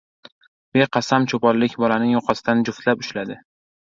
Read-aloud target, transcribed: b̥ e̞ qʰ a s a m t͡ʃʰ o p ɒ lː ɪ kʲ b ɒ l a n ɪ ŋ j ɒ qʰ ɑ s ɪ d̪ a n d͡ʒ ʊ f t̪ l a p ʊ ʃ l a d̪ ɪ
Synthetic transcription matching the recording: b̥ e̞ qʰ ɑ s a m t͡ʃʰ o p ɒ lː ɪ kʲ b ɒ l a n ɪ ŋ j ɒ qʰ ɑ s ɪ d̪ a n d͡ʒ ʊ f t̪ l a p ʊ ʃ l a d̪ ɪ